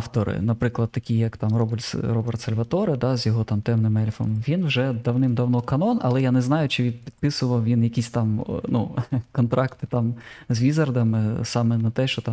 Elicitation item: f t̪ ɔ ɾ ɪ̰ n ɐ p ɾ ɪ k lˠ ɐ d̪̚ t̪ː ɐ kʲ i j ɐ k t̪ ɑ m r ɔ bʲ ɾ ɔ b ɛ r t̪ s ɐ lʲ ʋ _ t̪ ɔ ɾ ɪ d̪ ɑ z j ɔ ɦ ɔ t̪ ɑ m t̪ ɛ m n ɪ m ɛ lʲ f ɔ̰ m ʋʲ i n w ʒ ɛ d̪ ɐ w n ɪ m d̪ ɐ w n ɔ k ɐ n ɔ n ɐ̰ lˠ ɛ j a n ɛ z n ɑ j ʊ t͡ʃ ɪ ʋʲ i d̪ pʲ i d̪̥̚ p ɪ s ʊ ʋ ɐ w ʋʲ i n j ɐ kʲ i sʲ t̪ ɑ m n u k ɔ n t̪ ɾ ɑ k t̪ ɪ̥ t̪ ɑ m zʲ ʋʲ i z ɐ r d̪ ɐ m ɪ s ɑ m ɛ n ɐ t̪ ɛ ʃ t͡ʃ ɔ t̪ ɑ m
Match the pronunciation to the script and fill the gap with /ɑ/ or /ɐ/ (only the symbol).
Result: ɐ